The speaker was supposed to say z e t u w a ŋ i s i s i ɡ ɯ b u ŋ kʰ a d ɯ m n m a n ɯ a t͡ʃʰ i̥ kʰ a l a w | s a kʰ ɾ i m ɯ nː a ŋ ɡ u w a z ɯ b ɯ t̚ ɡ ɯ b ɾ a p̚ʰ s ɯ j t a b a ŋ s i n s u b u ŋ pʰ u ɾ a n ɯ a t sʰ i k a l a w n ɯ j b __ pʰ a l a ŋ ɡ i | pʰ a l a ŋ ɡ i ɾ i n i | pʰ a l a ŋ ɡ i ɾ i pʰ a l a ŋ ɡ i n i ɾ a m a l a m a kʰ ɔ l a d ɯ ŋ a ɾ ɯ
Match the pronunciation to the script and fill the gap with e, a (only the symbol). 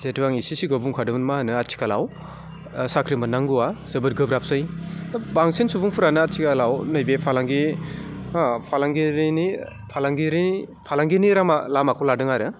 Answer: e